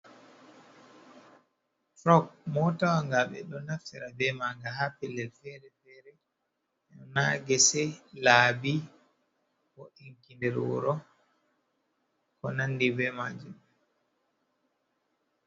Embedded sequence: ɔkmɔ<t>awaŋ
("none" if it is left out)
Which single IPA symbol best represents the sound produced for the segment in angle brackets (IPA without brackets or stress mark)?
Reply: t